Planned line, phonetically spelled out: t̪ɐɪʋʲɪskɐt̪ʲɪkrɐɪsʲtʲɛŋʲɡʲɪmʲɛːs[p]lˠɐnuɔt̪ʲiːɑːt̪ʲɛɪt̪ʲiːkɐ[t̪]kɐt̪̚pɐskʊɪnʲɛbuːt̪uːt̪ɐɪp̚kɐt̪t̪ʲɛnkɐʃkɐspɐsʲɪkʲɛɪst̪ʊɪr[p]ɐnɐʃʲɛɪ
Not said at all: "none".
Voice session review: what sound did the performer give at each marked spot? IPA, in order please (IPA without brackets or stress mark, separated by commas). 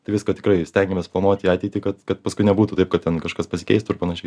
p, t̪, p